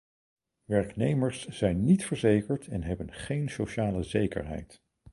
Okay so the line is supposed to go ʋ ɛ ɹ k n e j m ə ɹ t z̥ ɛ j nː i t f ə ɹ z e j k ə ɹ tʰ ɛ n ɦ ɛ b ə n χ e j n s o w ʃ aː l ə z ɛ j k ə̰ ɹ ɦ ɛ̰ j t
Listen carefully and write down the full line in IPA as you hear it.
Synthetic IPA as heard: ʋ ɛ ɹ k n e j m ə ɹ s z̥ ɛ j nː i t f ə ɹ z e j k ə ɹ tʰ ɛ n ɦ ɛ b ə n χ e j n s o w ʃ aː l ə z e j k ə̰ ɹ ɦ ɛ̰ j t